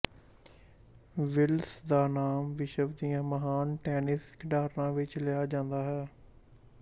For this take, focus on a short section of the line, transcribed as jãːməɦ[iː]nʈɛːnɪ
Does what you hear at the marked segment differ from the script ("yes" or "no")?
yes